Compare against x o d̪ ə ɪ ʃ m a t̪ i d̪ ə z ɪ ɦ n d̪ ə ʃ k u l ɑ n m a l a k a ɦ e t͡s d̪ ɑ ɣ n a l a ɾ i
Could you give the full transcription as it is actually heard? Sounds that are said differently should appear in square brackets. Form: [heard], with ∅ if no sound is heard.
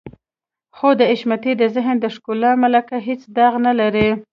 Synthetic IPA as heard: x o d̪ ə ɪ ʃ m a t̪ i d̪ ə z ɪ ɦ n d̪ ə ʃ k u l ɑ [∅] m a l a k a ɦ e t͡s d̪ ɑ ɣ n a l a ɾ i

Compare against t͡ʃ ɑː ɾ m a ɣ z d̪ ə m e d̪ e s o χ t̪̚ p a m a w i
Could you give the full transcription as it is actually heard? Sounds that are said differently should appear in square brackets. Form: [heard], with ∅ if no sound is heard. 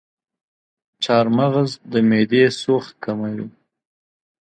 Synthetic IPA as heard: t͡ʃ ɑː ɾ m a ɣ z d̪ ə m e d̪ e s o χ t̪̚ [k] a m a w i

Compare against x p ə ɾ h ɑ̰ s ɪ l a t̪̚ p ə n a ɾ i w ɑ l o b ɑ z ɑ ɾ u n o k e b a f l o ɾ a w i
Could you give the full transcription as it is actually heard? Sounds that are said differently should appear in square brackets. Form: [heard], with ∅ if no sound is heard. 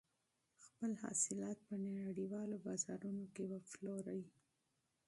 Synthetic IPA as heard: x p ə [l] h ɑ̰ s ɪ l [ɑ] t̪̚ p ə n a [ɽ] i w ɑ l o b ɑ z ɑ ɾ u n o k e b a f l o ɾ a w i

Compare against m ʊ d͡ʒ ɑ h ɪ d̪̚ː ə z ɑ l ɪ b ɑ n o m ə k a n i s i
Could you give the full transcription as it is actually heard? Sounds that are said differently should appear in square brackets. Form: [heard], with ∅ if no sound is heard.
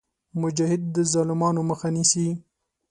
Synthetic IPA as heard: m ʊ d͡ʒ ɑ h ɪ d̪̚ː ə z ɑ l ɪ [m] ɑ n o m ə [x] a n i s i

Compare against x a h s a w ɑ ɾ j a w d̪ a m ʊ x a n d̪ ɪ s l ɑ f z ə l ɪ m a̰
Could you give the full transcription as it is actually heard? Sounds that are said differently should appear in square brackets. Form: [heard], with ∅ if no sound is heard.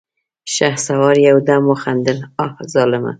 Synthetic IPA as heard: [ʃ] a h s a w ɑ ɾ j a w d̪ a m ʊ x a n d̪ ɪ [∅] l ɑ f z [ɑ] l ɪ m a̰

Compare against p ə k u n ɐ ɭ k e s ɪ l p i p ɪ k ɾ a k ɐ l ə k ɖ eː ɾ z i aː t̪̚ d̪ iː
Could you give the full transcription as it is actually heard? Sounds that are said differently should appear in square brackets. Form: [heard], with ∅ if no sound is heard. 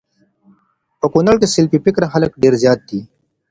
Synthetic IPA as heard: p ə k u n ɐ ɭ k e s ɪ l p i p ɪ k ɾ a [x] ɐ l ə k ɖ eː ɾ z [j] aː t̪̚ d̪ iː

